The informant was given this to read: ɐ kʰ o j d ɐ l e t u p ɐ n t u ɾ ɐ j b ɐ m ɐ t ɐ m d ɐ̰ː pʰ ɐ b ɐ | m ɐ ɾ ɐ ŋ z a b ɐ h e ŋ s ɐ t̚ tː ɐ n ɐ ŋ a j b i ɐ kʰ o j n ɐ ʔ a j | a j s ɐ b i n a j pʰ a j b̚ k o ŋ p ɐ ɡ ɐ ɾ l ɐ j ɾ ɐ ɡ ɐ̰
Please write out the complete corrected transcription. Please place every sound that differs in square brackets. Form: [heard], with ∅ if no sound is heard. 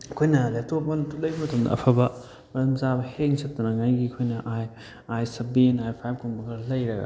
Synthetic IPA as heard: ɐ kʰ o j [n] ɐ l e t [o] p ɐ n t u [l] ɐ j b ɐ m ɐ t ɐ m d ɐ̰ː pʰ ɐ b ɐ | m ɐ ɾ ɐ [m] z a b ɐ h e ŋ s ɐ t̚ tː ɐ n ɐ ŋ a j [ɡ] i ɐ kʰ o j n ɐ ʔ a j | a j s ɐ b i n a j pʰ a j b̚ k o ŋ [b] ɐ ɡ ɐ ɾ l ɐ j ɾ ɐ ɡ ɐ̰